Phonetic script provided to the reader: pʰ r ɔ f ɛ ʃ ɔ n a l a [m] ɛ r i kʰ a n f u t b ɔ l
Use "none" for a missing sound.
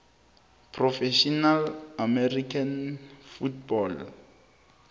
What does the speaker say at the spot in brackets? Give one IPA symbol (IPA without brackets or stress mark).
m